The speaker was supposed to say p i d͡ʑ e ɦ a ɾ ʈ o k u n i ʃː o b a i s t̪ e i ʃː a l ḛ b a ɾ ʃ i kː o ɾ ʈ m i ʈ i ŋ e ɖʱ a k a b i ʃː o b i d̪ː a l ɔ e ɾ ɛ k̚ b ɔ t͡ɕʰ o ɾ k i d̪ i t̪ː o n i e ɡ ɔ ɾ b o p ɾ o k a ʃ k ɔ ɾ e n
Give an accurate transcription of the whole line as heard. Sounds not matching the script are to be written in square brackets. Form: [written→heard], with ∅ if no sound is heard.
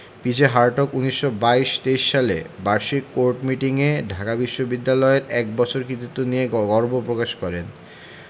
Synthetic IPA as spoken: p i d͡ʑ e ɦ a ɾ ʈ o k u n i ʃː o b a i [s→ʃ] t̪ e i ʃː a l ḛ b a ɾ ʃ i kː o ɾ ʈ m i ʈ i ŋ e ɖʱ a k a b i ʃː o b i d̪ː a l ɔ e ɾ ɛ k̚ b ɔ t͡ɕʰ o ɾ k i [d̪→t̪] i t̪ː o n i e ɡ ɔ ɾ b o p ɾ o k a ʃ k ɔ ɾ e n